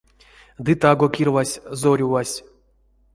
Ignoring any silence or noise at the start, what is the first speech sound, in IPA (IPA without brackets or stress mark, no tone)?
d̪